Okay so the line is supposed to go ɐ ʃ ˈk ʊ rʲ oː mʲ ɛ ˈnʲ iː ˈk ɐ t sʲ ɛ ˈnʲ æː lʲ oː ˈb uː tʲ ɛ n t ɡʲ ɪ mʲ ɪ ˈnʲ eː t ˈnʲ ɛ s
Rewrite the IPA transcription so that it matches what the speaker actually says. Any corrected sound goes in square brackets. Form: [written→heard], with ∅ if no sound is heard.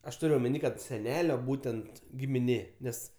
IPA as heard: ɐ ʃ [ˈk→ˈt] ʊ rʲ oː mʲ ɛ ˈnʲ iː ˈk ɐ t sʲ ɛ ˈnʲ æː lʲ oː ˈb uː tʲ ɛ n t ɡʲ ɪ mʲ ɪ ˈnʲ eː [t→∅] ˈnʲ ɛ s